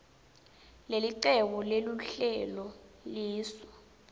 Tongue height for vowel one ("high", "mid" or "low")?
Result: mid